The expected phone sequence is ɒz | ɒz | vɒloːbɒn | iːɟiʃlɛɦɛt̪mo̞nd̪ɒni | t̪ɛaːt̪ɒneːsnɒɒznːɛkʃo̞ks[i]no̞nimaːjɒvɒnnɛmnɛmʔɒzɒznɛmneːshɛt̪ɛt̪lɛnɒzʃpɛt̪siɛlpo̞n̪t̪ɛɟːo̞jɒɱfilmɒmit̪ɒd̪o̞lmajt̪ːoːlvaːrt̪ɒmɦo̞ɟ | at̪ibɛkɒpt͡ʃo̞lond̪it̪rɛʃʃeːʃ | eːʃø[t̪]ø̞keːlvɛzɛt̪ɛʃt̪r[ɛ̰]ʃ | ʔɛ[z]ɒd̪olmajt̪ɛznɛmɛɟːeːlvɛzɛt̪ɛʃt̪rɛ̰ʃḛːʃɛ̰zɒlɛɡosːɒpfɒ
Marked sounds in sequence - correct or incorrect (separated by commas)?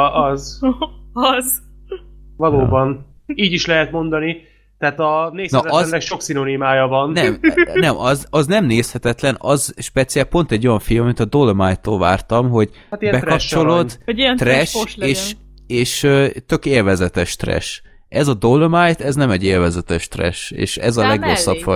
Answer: correct, correct, correct, correct